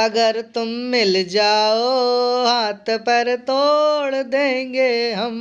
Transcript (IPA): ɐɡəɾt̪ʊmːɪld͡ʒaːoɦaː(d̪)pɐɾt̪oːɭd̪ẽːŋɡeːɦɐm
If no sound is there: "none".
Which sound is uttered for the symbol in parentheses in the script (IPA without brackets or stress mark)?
t̪